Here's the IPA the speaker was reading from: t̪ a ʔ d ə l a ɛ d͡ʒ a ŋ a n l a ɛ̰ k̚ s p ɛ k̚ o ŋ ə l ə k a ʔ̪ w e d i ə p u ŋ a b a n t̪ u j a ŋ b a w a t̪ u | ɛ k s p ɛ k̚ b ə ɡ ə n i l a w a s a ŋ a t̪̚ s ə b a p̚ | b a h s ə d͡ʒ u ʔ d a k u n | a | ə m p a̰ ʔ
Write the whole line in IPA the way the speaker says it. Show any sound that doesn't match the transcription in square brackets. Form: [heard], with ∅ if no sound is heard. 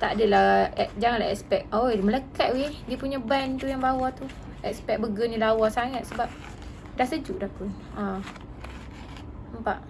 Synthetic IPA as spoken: t̪ a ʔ d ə l a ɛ d͡ʒ a ŋ a n l a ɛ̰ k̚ s p ɛ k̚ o [m] ə l ə k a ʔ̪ w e d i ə p u [ɲ] a b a n t̪ u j a ŋ b a w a t̪ u | ɛ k s p ɛ k̚ b ə ɡ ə n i l a w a s a ŋ a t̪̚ s ə b a p̚ | [d] a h s ə d͡ʒ u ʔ d a k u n | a | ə m p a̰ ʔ

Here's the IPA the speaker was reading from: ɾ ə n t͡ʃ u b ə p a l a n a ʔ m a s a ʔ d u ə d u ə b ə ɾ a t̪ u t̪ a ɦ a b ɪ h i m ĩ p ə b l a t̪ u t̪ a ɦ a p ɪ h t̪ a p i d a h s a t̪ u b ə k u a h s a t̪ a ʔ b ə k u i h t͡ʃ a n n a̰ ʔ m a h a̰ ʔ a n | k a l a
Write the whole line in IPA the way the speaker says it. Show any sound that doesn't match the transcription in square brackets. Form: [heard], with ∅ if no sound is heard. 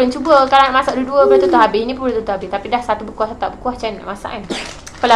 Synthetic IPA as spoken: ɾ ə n t͡ʃ u b ə [k] a l a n a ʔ m a s a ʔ d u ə d u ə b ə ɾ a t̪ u t̪ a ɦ a b ɪ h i [n] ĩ p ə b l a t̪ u t̪ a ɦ a [b] ɪ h t̪ a p i d a h s a t̪ u b ə k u a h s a t̪ a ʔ b ə k u [a] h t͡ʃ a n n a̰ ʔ m a [s] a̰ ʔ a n | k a l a

